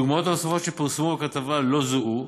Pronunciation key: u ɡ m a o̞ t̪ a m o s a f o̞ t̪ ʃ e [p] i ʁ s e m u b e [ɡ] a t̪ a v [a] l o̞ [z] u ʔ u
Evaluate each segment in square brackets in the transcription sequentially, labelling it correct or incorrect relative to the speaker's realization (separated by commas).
correct, incorrect, correct, correct